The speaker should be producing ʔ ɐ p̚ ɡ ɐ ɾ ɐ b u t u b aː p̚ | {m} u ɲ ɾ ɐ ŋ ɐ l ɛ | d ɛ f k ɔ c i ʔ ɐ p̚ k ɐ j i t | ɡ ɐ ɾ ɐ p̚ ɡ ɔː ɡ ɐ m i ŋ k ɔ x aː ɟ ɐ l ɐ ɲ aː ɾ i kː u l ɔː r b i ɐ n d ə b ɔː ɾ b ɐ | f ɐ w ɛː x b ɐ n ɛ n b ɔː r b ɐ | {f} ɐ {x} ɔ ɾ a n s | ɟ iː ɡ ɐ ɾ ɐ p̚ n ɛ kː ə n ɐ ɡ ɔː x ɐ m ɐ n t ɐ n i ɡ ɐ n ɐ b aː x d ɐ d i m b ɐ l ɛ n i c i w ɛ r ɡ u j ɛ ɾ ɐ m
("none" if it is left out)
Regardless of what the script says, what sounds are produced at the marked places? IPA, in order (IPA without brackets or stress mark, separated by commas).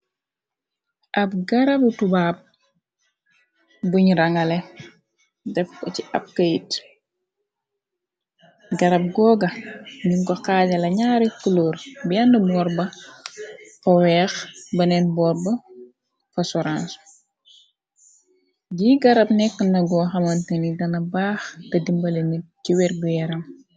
b, f, s